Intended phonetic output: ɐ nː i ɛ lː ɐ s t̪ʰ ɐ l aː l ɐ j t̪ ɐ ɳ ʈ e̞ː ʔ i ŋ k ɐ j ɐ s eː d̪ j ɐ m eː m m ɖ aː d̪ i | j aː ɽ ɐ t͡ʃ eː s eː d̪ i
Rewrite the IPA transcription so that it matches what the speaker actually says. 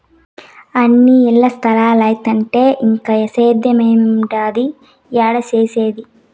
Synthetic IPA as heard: ɐ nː i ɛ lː ɐ s t̪ʰ ɐ l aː l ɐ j t̪ ɐ ɳ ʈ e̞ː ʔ i ŋ k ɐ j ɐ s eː d̪ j ɐ m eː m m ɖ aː d̪ i | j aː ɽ ɐ t͡ʃ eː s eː d̪ i